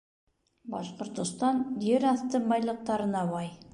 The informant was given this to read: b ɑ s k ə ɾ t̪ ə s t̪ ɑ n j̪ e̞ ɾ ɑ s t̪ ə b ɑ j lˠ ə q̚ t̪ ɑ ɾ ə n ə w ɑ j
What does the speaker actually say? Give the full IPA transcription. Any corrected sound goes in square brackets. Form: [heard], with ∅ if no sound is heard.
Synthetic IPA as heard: b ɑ s [q] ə ɾ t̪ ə s t̪ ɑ n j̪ e̞ ɾ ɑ s t̪ ə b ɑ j lˠ ə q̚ t̪ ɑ ɾ ə n [ɑ] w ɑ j